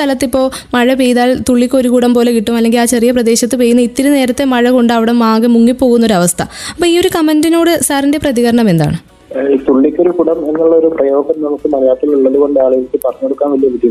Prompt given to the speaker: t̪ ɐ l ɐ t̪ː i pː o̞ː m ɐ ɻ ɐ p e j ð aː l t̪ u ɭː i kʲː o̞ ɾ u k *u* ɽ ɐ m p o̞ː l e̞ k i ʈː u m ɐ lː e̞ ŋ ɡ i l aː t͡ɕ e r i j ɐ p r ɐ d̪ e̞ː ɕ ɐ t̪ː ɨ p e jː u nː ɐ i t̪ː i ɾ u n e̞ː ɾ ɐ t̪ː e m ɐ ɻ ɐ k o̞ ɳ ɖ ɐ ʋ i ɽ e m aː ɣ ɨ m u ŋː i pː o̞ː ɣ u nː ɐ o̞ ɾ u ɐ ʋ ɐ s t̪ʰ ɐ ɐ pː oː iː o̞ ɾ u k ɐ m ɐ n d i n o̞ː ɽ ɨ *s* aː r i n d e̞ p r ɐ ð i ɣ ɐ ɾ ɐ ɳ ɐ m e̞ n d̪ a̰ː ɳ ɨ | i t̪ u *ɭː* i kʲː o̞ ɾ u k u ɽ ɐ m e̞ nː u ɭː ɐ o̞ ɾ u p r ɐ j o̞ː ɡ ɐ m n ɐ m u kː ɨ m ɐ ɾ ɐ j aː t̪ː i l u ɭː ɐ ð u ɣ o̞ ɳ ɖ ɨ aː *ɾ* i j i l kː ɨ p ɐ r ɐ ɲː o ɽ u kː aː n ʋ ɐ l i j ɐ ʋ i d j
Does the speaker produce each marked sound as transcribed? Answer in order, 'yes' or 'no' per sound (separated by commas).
yes, yes, yes, no